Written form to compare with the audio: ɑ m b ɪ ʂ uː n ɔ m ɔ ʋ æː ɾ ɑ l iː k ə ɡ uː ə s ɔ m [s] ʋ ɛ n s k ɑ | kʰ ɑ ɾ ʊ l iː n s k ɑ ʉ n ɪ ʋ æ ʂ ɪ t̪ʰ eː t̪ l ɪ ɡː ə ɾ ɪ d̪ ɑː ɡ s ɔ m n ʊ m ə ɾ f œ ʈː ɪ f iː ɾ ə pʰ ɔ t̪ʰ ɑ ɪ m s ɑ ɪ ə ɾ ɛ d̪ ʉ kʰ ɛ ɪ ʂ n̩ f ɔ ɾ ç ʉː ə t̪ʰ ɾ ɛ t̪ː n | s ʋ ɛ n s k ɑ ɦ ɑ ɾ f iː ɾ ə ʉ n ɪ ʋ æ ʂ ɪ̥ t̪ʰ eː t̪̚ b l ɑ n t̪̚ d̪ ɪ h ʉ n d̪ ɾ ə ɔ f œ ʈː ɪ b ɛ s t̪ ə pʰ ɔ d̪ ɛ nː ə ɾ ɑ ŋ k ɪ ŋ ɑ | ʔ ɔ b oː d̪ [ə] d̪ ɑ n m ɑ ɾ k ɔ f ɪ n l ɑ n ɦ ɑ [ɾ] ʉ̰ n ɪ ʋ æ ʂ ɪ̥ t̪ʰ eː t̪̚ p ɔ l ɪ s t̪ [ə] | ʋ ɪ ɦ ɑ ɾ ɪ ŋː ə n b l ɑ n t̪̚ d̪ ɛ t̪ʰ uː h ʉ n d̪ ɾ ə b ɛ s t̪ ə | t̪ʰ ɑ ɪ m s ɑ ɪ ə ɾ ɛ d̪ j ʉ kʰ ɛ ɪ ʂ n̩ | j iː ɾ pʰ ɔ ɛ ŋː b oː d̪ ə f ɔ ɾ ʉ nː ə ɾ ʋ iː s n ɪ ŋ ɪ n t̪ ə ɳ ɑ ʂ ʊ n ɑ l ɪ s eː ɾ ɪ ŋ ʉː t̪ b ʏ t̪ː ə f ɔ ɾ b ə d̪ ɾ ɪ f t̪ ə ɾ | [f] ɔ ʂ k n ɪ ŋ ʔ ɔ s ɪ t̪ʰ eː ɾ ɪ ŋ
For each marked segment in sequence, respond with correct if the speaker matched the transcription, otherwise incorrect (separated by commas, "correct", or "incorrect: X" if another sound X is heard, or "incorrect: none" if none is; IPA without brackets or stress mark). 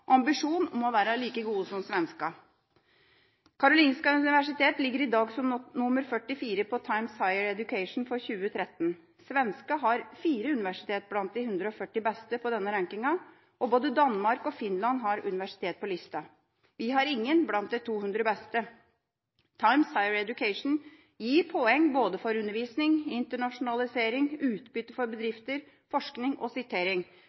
correct, correct, correct, incorrect: ɑ, correct